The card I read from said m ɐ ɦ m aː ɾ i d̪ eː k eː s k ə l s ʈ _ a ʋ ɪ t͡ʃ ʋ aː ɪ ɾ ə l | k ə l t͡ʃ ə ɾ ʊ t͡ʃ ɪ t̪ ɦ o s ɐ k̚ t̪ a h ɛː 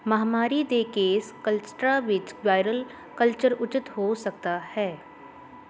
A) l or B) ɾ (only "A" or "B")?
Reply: B